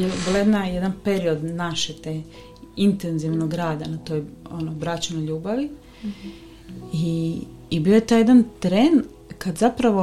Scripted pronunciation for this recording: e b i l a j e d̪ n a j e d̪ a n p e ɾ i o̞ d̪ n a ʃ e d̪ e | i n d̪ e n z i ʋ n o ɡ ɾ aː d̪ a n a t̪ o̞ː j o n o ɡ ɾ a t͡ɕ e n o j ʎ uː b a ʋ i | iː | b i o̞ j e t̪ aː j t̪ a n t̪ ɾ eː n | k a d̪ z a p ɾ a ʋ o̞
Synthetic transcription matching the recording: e b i l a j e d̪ n a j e d̪ a n p e ɾ i o̞ d̪ n a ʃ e t̪ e | i n t̪ e n z i ʋ n o ɡ ɾ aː d̪ a n a t̪ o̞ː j o n o b ɾ a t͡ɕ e n o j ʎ uː b a ʋ i | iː | b i o̞ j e t̪ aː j d̪ a n t̪ ɾ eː n | k a d̪ z a p ɾ a ʋ o̞